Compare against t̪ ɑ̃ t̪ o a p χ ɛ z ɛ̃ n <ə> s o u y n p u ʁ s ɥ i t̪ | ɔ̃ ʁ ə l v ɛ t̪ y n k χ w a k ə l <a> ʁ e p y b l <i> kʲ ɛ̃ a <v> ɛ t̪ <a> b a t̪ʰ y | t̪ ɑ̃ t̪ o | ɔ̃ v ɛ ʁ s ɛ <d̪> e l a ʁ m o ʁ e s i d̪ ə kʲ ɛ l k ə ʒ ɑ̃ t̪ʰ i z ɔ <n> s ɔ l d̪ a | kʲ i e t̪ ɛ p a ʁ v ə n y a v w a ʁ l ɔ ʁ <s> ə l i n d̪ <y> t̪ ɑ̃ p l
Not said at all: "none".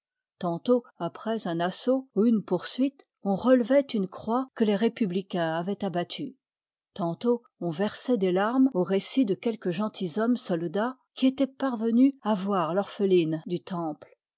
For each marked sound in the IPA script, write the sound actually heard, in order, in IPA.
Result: a, e, i, v, a, d̪, m, f, y

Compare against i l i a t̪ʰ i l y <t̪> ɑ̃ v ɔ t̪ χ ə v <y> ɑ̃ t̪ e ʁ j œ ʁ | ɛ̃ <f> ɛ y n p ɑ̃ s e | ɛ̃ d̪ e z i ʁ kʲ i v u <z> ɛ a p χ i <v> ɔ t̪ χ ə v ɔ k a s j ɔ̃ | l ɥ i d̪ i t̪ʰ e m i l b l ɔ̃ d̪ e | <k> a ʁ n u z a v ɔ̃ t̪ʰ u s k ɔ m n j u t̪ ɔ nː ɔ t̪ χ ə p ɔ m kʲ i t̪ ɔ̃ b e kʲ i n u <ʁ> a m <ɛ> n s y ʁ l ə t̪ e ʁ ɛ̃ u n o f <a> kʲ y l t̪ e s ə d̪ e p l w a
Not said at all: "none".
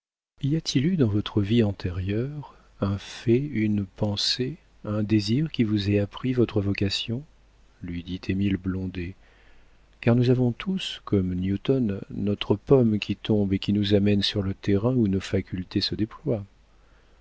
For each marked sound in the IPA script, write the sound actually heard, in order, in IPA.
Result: d̪, i, f, z, v, k, z, ɛ, a

